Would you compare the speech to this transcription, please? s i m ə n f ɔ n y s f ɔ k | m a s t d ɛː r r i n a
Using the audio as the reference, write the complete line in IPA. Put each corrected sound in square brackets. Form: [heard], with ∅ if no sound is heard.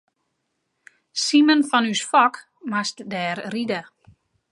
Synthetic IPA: s i m ə n f ɔ n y s f ɔ k | m a s t d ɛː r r i [d] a